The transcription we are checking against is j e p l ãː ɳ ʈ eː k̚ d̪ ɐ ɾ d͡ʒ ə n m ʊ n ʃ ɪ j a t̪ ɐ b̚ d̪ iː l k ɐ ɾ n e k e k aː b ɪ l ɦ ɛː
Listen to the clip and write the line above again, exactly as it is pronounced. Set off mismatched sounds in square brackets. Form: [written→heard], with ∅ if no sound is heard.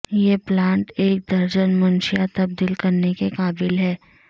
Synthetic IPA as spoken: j e p l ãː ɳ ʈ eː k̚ d̪ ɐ ɾ d͡ʒ ə n m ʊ n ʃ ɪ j a t̪ ɐ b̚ d̪ iː l k ɐ ɾ n e k e k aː b ɪ l ɦ ɛː